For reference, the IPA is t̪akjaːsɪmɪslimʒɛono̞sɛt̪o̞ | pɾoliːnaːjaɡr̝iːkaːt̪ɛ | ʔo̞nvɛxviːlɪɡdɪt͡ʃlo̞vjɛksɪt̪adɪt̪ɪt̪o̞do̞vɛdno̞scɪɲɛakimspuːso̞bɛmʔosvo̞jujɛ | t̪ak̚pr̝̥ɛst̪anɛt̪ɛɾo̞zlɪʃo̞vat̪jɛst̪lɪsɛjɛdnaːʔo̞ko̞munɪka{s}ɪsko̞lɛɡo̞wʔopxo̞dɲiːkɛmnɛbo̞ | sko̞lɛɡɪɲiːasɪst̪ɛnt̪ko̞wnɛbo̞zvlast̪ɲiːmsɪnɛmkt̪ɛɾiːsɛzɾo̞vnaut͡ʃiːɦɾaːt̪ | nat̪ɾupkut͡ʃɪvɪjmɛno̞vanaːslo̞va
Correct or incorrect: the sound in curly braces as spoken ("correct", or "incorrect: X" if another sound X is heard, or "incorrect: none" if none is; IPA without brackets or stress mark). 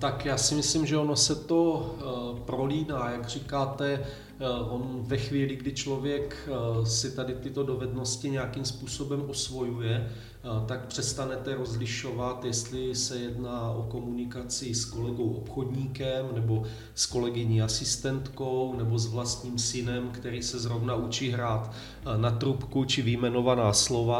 incorrect: t͡s